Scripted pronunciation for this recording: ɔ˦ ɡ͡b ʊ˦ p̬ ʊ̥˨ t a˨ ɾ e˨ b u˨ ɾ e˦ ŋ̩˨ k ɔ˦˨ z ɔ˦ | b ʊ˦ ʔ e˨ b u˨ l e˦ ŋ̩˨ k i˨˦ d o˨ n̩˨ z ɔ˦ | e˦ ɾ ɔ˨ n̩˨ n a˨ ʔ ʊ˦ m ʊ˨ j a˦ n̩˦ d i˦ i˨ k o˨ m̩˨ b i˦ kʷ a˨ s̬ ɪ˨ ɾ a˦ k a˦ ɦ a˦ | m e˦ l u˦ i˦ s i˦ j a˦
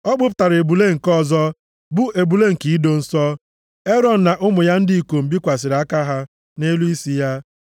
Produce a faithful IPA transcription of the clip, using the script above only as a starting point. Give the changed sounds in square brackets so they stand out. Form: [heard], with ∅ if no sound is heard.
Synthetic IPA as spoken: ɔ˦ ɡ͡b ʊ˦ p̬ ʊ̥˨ t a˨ ɾ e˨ b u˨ [l] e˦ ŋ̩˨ k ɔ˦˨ z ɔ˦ | b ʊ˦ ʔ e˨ b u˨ l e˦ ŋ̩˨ k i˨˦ d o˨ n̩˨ [s] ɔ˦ | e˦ ɾ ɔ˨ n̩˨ n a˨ ʔ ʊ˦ m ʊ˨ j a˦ n̩˦ d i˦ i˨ k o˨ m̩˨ b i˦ kʷ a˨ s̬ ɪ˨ ɾ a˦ k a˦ ɦ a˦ | [n] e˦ l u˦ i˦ s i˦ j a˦